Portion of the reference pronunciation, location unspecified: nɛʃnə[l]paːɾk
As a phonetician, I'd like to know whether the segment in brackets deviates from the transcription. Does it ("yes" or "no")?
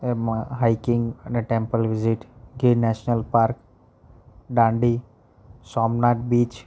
no